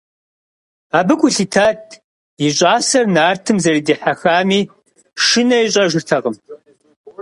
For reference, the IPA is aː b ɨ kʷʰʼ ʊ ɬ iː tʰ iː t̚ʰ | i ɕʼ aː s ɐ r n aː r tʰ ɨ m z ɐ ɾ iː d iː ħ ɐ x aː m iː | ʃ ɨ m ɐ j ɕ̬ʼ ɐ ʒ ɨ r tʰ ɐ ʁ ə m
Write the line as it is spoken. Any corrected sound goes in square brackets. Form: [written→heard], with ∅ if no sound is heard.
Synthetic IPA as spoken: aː b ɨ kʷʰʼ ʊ ɬ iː tʰ [iː→aː] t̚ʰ | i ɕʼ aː s ɐ r n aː r tʰ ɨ m z ɐ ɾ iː d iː ħ [ɐ→a] x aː m iː | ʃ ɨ [m→n] ɐ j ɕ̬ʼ ɐ ʒ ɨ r tʰ ɐ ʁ ə m